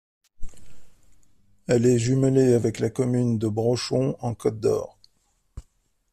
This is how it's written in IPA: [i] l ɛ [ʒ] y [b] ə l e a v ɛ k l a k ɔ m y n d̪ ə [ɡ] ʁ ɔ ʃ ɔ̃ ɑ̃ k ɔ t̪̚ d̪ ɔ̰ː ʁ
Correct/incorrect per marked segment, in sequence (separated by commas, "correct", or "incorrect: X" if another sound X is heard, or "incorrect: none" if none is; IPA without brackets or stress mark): incorrect: ɛ, correct, incorrect: m, incorrect: b